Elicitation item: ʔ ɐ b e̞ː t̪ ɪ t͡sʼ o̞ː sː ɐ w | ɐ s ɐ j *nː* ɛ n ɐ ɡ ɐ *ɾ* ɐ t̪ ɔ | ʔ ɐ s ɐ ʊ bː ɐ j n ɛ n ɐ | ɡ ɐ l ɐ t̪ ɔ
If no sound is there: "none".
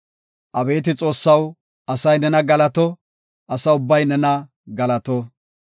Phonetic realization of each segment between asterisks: n, l

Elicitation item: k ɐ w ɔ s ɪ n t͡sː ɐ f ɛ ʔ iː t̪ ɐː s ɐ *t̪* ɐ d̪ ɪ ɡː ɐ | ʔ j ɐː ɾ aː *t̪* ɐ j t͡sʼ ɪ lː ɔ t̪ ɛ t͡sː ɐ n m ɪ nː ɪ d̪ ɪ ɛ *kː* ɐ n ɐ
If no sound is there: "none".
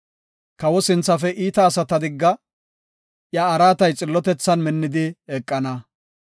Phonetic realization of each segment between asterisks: t̪, t̪, kʼː

